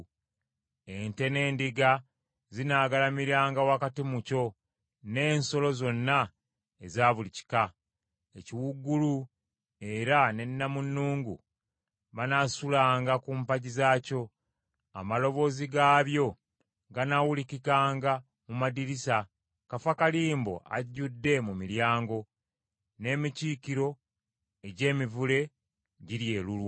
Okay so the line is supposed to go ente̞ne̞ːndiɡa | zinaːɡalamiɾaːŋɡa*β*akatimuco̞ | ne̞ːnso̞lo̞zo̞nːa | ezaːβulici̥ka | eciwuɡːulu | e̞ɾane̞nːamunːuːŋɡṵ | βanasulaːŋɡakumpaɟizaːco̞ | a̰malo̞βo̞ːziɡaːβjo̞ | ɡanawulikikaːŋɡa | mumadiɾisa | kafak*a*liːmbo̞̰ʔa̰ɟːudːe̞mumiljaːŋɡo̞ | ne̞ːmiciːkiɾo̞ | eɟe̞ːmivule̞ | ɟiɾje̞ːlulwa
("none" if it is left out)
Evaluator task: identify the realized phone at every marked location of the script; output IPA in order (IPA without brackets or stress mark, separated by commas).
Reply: w, a